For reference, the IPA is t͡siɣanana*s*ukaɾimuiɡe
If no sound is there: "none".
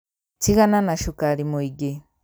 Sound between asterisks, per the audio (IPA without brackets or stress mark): ʃ